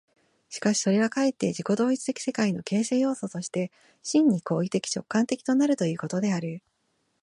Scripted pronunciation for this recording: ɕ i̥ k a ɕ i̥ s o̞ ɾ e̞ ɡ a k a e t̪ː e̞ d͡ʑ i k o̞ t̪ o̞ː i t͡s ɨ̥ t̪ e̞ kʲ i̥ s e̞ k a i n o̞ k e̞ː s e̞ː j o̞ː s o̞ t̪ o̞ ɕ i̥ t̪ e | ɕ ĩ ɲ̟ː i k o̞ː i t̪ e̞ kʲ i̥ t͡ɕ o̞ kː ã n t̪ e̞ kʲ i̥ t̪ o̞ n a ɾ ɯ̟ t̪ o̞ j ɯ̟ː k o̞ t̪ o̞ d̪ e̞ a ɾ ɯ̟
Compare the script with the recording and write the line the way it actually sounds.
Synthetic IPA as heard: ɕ i̥ k a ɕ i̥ s o̞ ɾ e̞ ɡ a k a e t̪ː e̞ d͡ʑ i k o̞ d̪ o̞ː i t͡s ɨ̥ t̪ e̞ kʲ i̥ s e̞ k a i n o̞ k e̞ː s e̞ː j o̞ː s o̞ t̪ o̞ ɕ i̥ t̪ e | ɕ ĩ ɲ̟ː i k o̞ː i t̪ e̞ kʲ i̥ t͡ɕ o̞ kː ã n t̪ e̞ kʲ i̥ t̪ o̞ n a ɾ ɯ̟ t̪ o̞ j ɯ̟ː k o̞ t̪ o̞ d̪ e̞ a ɾ ɯ̟